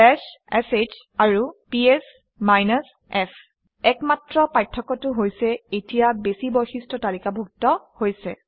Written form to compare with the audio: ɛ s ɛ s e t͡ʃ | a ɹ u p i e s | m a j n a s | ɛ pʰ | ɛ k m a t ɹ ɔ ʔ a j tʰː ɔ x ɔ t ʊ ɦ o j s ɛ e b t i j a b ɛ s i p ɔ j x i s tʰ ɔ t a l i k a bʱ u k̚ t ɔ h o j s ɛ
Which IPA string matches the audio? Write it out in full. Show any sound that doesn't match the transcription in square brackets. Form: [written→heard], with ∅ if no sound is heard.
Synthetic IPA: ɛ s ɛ s e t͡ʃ | a ɹ u p i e s | m a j n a s | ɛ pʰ | ɛ k m a t ɹ ɔ [ʔ→p] a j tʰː ɔ [x→k] ɔ t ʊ ɦ o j s ɛ e [b→∅] t i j a b [ɛ→e] s i [p→b] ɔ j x i s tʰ ɔ t a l i k a bʱ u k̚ t ɔ h o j s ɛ